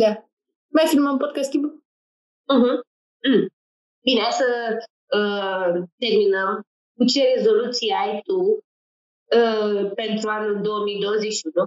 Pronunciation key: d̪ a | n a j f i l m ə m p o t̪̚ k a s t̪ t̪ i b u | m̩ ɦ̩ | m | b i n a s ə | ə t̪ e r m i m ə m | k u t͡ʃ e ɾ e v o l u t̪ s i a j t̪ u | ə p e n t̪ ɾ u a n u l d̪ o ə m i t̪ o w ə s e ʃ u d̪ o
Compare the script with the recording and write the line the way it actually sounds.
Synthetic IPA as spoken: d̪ a | m a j f i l m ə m p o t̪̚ k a s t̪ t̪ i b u | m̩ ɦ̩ | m | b i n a s ə | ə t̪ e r m i n ə m | k u t͡ʃ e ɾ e z o l u t̪ s i a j t̪ u | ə p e n t̪ ɾ u a n u l d̪ o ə m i d̪ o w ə z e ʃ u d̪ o